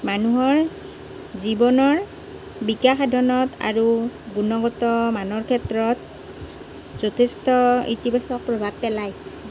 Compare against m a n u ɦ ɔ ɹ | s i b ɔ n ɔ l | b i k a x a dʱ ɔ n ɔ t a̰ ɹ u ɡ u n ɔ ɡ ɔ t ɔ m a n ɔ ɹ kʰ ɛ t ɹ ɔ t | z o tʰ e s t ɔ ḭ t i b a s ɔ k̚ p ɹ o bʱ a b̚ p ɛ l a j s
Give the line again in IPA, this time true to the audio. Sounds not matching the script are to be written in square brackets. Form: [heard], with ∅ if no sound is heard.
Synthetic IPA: m a n u ɦ ɔ ɹ | [z] i b ɔ n ɔ [ɹ] | b i k a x a dʱ ɔ n ɔ t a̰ ɹ u ɡ u n ɔ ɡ ɔ t ɔ m a n ɔ ɹ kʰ ɛ t ɹ ɔ t | z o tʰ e s t ɔ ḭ t i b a s ɔ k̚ p ɹ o bʱ a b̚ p ɛ l a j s